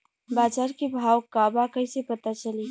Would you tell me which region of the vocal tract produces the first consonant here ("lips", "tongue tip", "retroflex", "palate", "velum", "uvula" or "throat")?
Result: lips